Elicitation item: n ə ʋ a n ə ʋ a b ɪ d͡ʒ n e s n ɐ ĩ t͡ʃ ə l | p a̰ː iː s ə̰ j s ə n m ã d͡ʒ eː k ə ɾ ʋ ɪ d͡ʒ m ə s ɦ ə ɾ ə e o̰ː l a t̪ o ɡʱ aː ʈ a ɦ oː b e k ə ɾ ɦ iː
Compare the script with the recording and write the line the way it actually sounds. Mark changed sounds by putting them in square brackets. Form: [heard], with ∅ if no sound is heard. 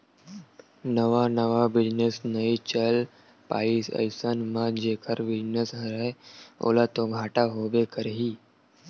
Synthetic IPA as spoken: n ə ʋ a n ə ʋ a b ɪ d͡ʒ n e s n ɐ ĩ t͡ʃ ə l | p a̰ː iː s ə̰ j s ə n m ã d͡ʒ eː k ə ɾ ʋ ɪ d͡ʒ [n] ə s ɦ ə ɾ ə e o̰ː l a t̪ o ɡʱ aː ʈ a ɦ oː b e k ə ɾ ɦ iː

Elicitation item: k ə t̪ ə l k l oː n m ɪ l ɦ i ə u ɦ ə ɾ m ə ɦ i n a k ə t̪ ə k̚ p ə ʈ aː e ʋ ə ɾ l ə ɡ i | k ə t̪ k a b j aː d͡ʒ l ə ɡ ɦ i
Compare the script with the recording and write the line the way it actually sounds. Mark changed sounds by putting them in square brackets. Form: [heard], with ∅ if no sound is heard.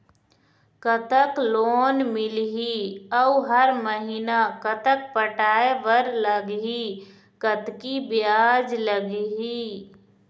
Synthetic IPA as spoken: k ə t̪ ə [∅] k l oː n m ɪ l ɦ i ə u ɦ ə ɾ m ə ɦ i n a k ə t̪ ə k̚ p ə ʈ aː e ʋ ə ɾ l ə ɡ i | k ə t̪ k [i] b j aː d͡ʒ l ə ɡ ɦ i

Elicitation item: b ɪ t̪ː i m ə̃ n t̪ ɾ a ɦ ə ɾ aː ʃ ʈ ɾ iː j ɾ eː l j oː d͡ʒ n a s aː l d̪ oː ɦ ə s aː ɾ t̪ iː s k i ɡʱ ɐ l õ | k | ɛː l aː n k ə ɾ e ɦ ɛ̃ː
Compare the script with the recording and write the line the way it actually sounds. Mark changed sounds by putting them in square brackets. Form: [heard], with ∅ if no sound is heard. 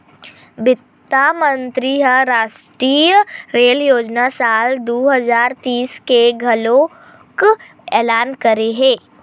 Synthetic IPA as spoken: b ɪ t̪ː [a] m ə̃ n t̪ ɾ [i] ɦ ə ɾ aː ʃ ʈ ɾ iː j ɾ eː l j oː d͡ʒ n a s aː l d̪ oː ɦ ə [z] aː ɾ t̪ iː s k [e] ɡʱ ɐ l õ | k | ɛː l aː n k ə ɾ e ɦ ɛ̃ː

